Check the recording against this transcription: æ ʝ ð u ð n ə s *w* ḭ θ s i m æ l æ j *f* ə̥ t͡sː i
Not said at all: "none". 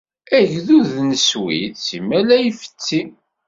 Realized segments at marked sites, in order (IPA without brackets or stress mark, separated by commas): w, f